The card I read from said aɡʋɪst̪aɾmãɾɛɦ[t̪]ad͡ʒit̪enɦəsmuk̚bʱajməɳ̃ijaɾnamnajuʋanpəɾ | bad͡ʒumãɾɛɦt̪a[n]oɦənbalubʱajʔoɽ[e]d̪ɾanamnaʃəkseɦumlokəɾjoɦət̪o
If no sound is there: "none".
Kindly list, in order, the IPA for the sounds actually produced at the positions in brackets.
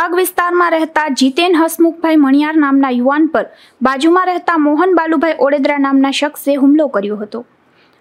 t̪, m, e

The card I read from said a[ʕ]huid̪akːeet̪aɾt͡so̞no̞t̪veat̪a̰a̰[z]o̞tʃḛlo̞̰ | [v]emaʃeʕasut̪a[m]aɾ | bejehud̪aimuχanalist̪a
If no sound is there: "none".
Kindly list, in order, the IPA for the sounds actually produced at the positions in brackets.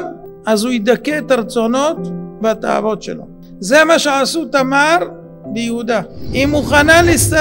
z, v, z, m

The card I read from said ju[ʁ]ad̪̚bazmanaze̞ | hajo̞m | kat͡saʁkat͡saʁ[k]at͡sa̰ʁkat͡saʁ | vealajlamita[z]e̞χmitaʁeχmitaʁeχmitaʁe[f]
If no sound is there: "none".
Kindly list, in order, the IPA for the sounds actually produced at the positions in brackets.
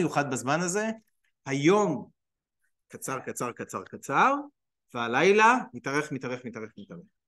χ, k, ʁ, χ

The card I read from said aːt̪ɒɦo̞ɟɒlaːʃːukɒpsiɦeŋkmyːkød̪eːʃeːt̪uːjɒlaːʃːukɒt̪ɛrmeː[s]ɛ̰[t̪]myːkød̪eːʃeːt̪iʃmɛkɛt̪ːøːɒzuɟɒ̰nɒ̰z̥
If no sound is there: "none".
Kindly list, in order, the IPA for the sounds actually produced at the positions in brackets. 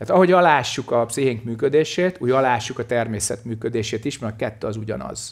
s, t̪

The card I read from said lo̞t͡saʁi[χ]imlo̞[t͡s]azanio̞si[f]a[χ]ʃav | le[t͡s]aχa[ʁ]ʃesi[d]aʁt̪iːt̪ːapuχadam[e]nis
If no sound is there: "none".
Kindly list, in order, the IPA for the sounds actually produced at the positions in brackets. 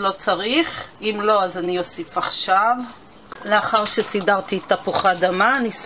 χ, none, f, χ, none, ʁ, d, a

